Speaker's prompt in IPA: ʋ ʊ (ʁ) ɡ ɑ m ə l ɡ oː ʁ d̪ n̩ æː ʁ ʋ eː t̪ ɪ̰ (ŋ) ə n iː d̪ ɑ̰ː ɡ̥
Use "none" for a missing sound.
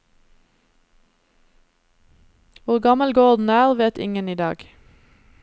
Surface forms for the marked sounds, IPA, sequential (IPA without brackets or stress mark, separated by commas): ʁ, ŋ